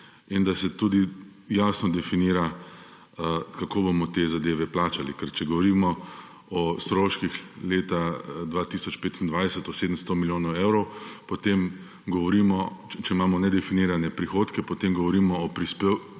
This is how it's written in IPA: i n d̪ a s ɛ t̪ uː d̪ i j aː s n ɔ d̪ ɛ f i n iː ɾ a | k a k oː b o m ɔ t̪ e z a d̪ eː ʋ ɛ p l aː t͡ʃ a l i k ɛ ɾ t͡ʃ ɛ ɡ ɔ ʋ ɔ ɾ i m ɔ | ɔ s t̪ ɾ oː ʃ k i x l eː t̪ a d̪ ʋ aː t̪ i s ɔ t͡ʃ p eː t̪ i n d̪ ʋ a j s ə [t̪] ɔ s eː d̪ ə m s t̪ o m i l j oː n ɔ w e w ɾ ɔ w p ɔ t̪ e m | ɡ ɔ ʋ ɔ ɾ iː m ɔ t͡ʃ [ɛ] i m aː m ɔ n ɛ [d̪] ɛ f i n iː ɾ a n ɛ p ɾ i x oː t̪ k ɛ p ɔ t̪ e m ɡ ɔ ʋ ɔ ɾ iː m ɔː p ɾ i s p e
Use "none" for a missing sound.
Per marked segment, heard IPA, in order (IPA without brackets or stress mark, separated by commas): t̪, ɛ, d̪